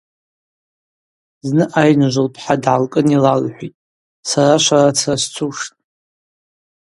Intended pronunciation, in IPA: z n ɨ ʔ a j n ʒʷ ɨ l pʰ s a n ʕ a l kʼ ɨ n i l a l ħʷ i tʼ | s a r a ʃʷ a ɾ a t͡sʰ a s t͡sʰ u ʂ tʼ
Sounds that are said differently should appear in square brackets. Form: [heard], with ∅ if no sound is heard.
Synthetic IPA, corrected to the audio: z n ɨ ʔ a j n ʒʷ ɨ l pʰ [ħ] a [d] ʕ a l kʼ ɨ n i l a l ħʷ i tʼ | s a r a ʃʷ a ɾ a t͡sʰ a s t͡sʰ u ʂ tʼ

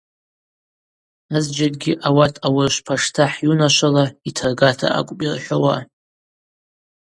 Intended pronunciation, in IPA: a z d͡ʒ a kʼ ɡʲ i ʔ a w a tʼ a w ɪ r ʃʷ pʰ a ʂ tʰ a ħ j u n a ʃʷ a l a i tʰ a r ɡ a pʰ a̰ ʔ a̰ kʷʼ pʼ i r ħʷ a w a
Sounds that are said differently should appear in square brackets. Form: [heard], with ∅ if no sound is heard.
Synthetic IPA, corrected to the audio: a z d͡ʒ a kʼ ɡʲ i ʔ a w a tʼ a w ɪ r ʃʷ pʰ a ʂ tʰ a ħ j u n a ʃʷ a l a i tʰ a r ɡ a [tʰ] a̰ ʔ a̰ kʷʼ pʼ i r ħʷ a w a

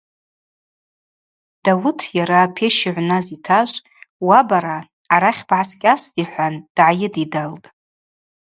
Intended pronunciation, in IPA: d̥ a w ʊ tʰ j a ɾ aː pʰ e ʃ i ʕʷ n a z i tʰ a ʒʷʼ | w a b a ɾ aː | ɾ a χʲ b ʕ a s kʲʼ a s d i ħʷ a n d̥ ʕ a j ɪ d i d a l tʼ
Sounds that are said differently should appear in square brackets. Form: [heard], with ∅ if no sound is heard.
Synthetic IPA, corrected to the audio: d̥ a w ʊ tʰ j a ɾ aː pʰ e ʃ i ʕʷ n a z i tʰ a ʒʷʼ | w a b a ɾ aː | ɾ a χʲ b ʕ a s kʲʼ a s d i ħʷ a n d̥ ʕ a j ɪ d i d a l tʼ

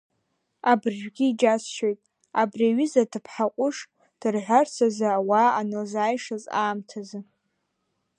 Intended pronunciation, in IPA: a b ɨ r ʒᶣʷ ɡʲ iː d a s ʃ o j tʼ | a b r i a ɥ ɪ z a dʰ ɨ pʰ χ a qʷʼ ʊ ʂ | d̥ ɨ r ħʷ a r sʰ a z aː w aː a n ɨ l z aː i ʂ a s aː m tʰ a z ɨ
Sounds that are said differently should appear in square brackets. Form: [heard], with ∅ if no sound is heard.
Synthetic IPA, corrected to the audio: a b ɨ r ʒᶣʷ ɡʲ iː [d͡ʒ] a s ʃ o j tʼ | a b r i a ɥ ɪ z a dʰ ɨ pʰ [ħ] a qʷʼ ʊ ʂ | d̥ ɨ r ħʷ a r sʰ a z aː w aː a n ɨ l z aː [j] ʂ a [z] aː m tʰ a z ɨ

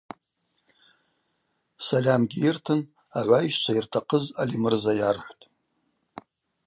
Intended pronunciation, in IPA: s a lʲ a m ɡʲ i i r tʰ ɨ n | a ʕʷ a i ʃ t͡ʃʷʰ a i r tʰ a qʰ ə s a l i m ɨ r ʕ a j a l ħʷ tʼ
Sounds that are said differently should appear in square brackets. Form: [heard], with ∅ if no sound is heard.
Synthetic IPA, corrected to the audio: s a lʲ a m ɡʲ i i r tʰ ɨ n | a ʕʷ a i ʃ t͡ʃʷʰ a i r tʰ a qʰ ə [z] a l i m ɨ r [z] a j a [r] ħʷ tʼ

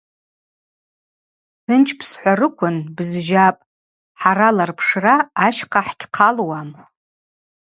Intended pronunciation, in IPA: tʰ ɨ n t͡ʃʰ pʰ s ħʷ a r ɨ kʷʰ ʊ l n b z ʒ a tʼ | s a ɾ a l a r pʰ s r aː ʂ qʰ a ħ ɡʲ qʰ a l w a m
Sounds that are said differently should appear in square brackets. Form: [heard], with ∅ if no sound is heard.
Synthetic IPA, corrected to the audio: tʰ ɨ n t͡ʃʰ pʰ s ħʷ a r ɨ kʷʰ ʊ [∅] n b z ʒ a [pʼ] | [ħ] a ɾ a l a r pʰ [ʂ] r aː [ʃ] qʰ a ħ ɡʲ qʰ a l w a m

